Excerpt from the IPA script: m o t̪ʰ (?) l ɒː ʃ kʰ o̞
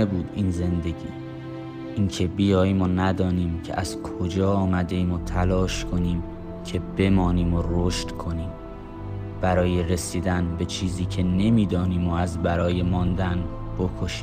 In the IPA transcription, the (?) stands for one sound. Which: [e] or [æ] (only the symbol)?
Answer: æ